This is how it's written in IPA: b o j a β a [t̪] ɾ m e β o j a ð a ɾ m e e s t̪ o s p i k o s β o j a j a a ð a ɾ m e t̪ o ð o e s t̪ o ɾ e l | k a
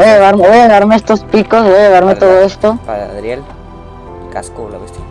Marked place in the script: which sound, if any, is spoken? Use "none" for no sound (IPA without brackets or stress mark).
none